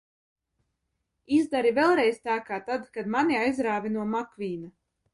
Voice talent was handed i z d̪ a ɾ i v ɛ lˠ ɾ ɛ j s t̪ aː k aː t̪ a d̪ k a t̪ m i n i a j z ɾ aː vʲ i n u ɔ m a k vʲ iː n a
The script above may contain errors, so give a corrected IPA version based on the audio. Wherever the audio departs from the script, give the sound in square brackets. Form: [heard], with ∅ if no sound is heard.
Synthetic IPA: i z d̪ a ɾ i v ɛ lˠ ɾ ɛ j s t̪ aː k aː t̪ a d̪ k a [d̪] m [a] n i a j z ɾ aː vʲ i n u ɔ m a k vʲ iː n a